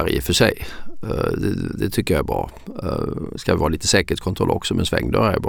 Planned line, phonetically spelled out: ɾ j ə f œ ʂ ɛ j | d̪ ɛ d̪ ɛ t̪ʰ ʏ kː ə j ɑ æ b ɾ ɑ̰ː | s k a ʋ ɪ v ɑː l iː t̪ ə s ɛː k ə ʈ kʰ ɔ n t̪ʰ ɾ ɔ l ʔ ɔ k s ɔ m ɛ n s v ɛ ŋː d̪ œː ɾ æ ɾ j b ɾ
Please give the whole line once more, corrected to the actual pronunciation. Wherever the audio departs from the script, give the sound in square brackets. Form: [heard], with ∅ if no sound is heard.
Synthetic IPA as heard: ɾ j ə f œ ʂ ɛ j | d̪ ɛ d̪ ɛ t̪ʰ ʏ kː ə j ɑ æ b ɾ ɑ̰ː | s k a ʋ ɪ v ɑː l iː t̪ ə s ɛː k ə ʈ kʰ ɔ n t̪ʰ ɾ ɔ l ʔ ɔ k s ɔ m ɛ n s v ɛ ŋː d̪ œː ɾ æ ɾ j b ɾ